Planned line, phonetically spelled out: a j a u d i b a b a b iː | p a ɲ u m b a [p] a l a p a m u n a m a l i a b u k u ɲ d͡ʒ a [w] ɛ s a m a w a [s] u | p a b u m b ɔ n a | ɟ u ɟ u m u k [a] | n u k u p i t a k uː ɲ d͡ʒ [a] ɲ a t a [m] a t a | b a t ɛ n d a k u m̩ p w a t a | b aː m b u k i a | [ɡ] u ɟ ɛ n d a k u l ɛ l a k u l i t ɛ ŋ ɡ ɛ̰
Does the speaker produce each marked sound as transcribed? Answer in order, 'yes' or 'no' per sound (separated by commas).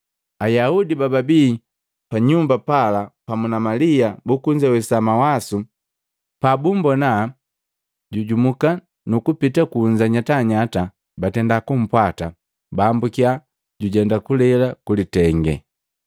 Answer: yes, yes, yes, yes, yes, no, no